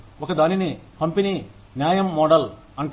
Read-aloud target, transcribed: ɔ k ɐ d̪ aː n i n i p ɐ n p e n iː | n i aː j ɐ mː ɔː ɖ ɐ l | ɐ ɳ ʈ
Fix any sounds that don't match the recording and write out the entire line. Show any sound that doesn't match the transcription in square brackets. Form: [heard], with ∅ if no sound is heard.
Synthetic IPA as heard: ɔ k ɐ d̪ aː n i n i p ɐ [m] p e n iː | n [j] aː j ɐ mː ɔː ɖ ɐ l | ɐ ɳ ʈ